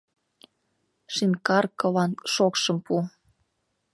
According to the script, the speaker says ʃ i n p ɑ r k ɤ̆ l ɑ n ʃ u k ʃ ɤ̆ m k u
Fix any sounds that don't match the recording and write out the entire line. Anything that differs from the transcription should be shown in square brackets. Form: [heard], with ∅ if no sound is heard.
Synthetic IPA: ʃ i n [k] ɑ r k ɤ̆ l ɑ n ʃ [o] k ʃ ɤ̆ m [p] u